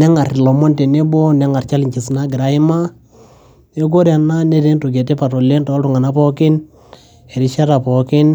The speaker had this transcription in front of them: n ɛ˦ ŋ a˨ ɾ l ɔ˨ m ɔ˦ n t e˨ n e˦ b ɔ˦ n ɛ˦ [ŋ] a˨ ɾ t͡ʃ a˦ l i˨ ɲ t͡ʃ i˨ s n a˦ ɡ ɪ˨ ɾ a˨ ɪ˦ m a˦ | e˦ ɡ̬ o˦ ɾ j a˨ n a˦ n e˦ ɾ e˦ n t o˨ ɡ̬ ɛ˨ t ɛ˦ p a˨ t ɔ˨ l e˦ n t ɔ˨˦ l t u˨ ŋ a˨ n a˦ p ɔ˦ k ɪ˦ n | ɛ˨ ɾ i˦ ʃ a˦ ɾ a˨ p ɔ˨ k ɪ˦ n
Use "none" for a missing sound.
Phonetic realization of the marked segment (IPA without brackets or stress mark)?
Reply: ŋ